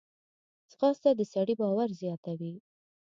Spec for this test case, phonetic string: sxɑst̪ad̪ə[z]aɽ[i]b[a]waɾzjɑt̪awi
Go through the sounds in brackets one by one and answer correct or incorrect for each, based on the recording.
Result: incorrect, correct, incorrect

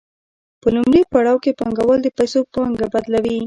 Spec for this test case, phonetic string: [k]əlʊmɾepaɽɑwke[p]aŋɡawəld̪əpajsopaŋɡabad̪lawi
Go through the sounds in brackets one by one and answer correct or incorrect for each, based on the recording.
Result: incorrect, correct

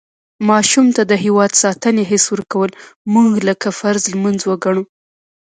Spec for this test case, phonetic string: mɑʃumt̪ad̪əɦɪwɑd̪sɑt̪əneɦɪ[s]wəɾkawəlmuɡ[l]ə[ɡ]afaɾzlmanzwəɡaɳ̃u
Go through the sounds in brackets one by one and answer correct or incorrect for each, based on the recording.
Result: correct, correct, incorrect

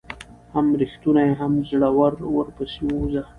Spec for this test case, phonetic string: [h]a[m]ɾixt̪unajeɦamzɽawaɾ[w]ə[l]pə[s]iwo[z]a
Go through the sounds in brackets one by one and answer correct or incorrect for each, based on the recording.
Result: correct, correct, correct, incorrect, correct, correct

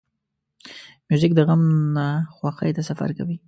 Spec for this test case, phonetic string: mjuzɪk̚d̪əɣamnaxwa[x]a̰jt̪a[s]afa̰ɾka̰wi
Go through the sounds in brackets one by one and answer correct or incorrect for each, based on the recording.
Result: correct, correct

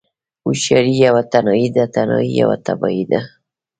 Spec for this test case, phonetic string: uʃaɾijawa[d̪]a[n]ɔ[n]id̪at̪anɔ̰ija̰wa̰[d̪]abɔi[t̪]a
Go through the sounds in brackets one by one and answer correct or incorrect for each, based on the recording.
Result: incorrect, correct, incorrect, incorrect, incorrect

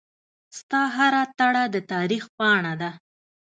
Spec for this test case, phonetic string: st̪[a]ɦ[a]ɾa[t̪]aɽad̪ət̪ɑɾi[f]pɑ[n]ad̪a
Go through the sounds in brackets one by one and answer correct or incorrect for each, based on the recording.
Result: incorrect, correct, correct, incorrect, incorrect

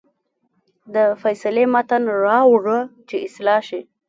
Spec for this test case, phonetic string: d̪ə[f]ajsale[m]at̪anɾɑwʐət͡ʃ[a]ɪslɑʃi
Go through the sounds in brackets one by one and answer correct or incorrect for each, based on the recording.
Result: correct, correct, incorrect

